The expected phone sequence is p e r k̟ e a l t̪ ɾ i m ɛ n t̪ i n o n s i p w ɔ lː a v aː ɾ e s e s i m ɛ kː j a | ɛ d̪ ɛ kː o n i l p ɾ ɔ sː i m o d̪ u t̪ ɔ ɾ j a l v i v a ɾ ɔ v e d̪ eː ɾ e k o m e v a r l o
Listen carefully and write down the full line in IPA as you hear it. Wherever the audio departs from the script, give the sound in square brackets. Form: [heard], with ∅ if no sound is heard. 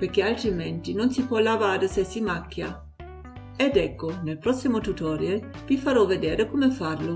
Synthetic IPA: p e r k̟ e a l t̪ ɾ i m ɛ n t̪ i n o n s i p w ɔ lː a v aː ɾ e s e s i m [a] kː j a | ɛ d̪ ɛ kː o n [e] l p ɾ ɔ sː i m o [t̪] u t̪ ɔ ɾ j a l v i [f] a ɾ ɔ v e d̪ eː ɾ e k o m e [f] a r l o